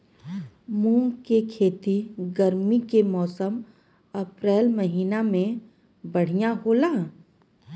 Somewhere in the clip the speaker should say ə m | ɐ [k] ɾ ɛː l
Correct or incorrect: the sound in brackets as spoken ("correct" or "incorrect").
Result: incorrect